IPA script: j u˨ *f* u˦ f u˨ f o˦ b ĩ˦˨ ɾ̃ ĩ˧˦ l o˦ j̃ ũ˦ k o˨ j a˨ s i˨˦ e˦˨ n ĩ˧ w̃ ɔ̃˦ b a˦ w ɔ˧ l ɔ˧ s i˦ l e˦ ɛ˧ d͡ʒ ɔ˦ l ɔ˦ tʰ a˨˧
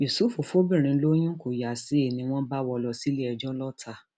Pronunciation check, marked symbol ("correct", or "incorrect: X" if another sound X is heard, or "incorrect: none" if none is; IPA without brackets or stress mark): incorrect: s